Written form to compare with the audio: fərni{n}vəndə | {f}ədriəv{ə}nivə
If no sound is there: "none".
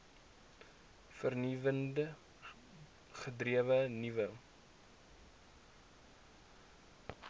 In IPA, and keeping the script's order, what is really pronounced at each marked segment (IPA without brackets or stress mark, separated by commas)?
none, χ, ə